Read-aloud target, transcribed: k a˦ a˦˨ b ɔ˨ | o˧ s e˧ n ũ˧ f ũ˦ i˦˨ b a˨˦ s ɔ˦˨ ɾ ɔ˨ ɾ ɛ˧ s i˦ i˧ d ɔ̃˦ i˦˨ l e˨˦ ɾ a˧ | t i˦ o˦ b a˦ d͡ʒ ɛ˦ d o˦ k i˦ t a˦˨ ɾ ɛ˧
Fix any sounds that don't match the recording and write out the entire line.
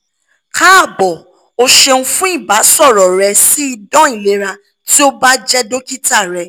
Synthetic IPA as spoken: k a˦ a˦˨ b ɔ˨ | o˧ ʃ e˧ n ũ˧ f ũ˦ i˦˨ b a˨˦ s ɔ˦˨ ɾ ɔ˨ ɾ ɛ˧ s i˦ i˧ d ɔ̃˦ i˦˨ l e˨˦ ɾ a˧ | t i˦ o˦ b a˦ d͡ʒ ɛ˦ d o˦ k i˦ t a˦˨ ɾ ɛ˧

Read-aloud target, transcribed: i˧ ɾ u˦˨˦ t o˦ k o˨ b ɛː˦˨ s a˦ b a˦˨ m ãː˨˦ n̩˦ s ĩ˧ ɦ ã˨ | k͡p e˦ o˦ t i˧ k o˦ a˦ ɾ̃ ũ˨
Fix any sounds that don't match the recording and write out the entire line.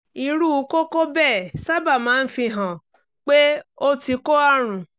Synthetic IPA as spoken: i˧ ɾ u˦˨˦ k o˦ k o˦ b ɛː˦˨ s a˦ b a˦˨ m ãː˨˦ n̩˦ f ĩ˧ ɦ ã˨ | k͡p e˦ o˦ t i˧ k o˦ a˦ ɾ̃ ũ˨

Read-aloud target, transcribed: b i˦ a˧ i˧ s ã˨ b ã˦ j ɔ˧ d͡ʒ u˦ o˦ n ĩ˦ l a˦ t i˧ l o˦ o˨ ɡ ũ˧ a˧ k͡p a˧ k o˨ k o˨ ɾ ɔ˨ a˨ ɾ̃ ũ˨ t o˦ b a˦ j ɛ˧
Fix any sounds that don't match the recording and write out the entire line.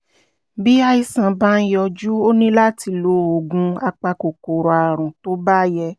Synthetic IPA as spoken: b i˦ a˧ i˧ s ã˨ b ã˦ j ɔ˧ d͡ʒ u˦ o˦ n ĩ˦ l a˦ t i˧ l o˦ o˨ ɡ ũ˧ a˧ k͡p a˧ k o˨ k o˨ ɾ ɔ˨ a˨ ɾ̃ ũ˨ t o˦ b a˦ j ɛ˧

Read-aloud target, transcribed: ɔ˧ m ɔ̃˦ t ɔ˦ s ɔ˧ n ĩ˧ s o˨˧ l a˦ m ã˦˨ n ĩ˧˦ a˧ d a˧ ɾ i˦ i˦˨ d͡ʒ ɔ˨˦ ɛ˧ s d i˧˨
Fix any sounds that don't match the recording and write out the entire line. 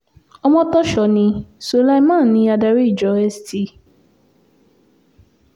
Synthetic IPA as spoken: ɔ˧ m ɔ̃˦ t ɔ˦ ʃ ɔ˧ n ĩ˧ s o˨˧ l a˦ m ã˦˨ n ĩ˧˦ a˧ d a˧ ɾ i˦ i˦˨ d͡ʒ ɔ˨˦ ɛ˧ s t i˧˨

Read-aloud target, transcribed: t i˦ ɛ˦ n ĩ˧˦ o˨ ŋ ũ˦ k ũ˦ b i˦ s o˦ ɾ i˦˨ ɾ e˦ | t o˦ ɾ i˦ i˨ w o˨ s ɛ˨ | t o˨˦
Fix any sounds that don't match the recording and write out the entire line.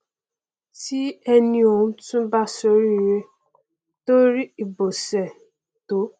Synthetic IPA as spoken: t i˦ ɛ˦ n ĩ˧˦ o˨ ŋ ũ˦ t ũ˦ b a˦ s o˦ ɾ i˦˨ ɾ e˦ | t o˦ ɾ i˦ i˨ b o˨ s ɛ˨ | t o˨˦

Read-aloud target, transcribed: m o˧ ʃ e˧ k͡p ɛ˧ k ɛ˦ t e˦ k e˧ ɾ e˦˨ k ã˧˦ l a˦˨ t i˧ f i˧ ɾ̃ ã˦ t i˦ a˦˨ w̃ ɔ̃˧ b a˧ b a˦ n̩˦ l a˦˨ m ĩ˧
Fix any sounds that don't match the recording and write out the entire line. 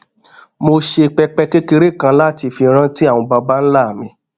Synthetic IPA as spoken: m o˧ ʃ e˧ k͡p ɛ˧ k͡p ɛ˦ k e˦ k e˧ ɾ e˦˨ k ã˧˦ l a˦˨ t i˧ f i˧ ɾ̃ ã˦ t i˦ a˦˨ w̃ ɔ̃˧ b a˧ b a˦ n̩˦ l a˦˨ m ĩ˧

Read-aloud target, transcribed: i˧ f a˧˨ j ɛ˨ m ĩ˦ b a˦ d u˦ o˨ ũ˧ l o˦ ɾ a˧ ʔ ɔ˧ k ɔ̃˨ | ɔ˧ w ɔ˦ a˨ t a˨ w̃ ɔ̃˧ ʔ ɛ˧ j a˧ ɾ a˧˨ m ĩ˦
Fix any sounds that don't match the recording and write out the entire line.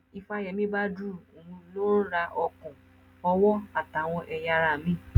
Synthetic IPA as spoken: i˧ f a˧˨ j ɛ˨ m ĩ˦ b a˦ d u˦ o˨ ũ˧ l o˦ ɾ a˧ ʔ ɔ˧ k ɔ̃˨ | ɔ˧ w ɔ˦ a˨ t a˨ w̃ ɔ̃˧ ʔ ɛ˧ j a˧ ɾ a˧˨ m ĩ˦

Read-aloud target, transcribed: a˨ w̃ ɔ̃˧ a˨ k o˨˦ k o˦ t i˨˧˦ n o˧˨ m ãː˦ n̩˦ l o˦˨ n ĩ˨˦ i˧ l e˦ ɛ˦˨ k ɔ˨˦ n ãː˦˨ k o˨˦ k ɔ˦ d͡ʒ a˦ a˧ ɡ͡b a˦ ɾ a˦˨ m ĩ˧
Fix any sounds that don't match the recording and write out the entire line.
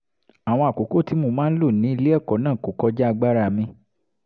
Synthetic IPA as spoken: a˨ w̃ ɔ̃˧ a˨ k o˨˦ k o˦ t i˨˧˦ m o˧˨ m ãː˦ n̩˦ l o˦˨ n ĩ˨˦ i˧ l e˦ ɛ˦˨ k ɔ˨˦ n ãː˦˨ k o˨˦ k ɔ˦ d͡ʒ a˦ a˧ ɡ͡b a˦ ɾ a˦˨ m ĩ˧

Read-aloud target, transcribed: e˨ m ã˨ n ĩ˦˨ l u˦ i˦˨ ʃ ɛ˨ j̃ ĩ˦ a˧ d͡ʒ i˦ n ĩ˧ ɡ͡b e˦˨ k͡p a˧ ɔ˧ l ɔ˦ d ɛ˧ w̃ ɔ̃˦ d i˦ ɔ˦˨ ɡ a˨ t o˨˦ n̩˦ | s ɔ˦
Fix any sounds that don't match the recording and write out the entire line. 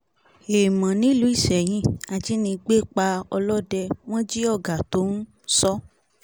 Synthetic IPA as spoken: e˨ m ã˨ n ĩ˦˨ l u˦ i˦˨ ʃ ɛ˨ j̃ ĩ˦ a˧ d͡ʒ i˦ n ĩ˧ ɡ͡b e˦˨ k͡p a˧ ɔ˧ l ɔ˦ d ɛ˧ w̃ ɔ̃˦ d͡ʒ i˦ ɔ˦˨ ɡ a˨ t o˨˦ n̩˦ | s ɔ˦

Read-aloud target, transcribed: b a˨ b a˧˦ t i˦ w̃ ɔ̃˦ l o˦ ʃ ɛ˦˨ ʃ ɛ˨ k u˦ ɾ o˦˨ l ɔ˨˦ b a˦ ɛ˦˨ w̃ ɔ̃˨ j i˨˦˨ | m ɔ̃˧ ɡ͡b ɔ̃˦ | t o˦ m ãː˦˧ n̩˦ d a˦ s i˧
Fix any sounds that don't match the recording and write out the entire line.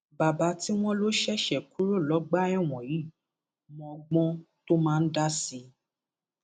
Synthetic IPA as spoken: b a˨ b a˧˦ t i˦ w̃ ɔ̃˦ l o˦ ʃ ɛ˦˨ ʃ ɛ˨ k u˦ ɾ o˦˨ l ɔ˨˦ ɡ͡b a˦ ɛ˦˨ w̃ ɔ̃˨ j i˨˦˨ | m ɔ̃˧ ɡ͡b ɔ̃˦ | t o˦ m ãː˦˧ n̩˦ d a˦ s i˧

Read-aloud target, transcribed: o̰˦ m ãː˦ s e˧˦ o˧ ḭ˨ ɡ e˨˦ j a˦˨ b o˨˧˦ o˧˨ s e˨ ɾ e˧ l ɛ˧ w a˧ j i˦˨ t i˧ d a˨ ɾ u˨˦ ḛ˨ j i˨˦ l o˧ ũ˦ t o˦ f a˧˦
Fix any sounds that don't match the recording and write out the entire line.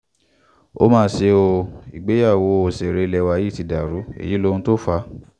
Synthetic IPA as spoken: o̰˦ m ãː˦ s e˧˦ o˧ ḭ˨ ɡ͡b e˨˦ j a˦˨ w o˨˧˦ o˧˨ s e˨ ɾ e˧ l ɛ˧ w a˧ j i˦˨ t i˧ d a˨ ɾ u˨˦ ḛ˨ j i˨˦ l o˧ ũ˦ t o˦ f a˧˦

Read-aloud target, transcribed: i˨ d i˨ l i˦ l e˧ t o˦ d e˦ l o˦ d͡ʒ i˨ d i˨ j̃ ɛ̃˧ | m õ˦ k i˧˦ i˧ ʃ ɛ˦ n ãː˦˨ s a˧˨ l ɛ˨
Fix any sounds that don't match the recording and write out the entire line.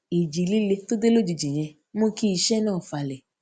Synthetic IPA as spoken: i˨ d͡ʒ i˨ l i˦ l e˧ t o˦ d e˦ l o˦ d͡ʒ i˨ d͡ʒ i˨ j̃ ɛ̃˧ | m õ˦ k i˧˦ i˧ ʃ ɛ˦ n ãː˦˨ f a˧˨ l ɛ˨

